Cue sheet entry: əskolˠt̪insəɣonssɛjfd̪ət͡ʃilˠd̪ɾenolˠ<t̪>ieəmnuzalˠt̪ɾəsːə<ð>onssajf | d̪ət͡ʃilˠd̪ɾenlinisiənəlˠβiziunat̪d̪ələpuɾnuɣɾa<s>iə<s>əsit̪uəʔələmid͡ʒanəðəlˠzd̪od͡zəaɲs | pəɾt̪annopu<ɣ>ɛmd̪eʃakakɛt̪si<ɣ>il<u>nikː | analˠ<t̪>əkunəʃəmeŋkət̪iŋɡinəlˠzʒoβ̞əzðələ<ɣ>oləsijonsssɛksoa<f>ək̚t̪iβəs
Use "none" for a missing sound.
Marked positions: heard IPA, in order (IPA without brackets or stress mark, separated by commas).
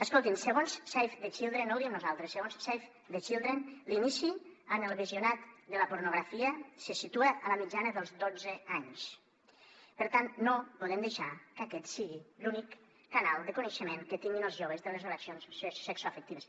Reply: d̪, ɣ, f, s, ð, ɣ, u, d̪, z, f